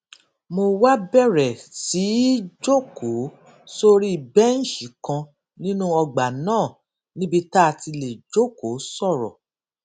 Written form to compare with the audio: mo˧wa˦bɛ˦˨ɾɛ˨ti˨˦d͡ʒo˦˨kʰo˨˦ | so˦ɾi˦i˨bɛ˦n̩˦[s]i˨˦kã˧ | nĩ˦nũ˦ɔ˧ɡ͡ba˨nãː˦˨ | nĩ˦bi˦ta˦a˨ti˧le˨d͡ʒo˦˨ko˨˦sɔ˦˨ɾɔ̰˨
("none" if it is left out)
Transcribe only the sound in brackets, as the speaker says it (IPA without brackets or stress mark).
ʃ